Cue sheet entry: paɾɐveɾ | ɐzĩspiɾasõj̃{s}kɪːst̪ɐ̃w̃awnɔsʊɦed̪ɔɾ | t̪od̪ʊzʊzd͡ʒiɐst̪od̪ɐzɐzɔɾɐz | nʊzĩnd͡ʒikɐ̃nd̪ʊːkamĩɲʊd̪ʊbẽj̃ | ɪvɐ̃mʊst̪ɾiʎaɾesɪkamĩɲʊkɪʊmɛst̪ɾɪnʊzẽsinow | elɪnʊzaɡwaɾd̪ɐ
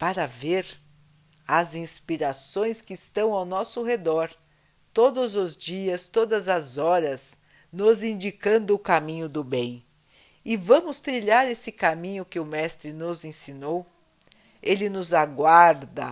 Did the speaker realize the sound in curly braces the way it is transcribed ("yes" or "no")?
yes